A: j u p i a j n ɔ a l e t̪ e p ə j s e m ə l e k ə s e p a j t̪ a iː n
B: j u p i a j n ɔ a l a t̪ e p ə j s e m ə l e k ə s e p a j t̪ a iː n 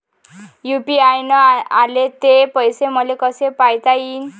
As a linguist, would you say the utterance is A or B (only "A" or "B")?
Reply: A